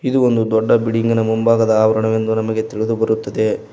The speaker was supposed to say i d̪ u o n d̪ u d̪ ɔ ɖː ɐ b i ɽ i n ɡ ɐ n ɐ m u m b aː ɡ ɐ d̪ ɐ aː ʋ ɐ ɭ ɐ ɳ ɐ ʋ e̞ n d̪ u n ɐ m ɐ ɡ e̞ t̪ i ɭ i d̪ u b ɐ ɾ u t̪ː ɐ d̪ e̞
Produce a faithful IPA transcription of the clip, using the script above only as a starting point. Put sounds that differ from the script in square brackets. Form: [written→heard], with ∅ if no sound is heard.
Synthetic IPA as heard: i d̪ u o n d̪ u d̪ ɔ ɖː ɐ b i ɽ i [n→ŋ] ɡ ɐ n ɐ m u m b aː ɡ ɐ d̪ ɐ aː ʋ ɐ [ɭ→ɾ] ɐ ɳ ɐ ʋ e̞ n d̪ u n ɐ m ɐ ɡ e̞ t̪ i ɭ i d̪ u b ɐ ɾ u t̪ː ɐ d̪ e̞